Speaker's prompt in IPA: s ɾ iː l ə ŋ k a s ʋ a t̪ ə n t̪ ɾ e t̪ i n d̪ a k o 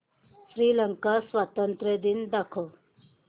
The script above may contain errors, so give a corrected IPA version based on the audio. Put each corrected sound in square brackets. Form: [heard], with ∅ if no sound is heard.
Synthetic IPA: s ɾ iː l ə ŋ k a s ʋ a t̪ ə n t̪ ɾ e [d̪] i n d̪ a [kʰ] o